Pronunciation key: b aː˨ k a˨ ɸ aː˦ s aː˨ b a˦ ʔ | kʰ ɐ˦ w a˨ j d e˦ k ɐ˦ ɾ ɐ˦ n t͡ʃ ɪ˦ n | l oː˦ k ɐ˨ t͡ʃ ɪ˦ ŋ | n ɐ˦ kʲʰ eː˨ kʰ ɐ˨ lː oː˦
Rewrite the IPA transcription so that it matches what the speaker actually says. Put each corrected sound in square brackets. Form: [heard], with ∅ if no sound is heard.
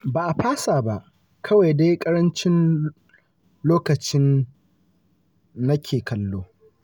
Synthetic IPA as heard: b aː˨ [ʔ] a˨ ɸ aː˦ s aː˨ b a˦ ʔ | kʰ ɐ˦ w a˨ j d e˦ [kʼ] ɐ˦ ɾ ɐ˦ n t͡ʃ ɪ˦ n | l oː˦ k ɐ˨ t͡ʃ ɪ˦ [n] | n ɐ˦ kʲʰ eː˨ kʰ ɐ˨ lː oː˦